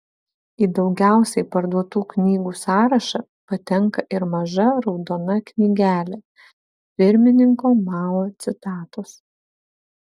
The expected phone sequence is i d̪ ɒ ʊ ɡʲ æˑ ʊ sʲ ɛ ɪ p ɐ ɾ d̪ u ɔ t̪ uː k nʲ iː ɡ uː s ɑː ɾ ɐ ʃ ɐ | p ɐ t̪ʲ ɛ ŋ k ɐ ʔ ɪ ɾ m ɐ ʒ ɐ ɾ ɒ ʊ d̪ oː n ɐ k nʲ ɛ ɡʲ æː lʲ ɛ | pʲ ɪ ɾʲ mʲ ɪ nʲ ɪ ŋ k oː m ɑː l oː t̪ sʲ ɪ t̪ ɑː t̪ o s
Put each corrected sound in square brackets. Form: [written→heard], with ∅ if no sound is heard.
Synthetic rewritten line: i d̪ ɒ ʊ ɡʲ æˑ ʊ sʲ ɛ ɪ p ɐ ɾ d̪ u ɔ t̪ uː k nʲ iː ɡ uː s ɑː ɾ ɐ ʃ ɐ | p ɐ t̪ʲ ɛ ŋ k ɐ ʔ ɪ ɾ m ɐ ʒ ɐ ɾ ɒ ʊ d̪ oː n ɐ k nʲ [ɛ→i] ɡʲ æː lʲ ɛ | pʲ ɪ ɾʲ mʲ ɪ nʲ ɪ ŋ k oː m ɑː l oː t̪ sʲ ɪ t̪ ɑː t̪ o s